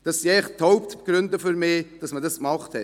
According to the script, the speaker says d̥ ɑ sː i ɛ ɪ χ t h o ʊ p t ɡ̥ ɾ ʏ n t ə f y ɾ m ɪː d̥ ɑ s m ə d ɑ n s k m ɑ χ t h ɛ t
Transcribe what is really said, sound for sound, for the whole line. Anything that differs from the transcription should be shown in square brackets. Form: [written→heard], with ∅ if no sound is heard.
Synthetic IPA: d̥ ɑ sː i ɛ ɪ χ t h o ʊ p t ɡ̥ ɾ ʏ n [t→d] ə f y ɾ m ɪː d̥ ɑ s m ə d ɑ [n→∅] s k m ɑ χ t h ɛ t